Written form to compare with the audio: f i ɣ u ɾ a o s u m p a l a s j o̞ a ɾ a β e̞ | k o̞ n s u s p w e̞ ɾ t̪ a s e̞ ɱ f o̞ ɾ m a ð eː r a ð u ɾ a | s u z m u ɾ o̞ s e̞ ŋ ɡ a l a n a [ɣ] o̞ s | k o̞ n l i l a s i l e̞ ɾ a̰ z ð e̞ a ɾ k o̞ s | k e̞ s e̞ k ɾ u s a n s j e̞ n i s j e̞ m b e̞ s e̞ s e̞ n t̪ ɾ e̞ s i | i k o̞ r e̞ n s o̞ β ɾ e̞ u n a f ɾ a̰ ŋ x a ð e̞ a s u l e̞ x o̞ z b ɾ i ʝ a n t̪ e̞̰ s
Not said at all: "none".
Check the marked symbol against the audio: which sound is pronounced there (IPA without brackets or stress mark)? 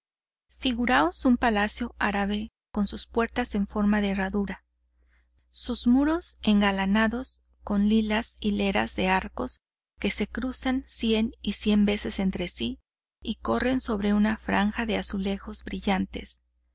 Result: ð